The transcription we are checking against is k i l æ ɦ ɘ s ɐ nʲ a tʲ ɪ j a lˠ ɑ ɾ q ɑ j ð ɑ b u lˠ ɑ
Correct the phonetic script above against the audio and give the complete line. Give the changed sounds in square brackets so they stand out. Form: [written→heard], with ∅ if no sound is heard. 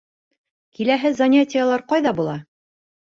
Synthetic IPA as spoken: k i l æ ɦ ɘ [s→z] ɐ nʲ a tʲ ɪ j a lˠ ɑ ɾ q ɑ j ð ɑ b u lˠ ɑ